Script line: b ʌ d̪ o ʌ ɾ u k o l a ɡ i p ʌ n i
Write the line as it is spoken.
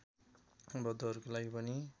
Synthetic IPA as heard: b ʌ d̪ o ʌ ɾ u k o l a ɡ i p ʌ n i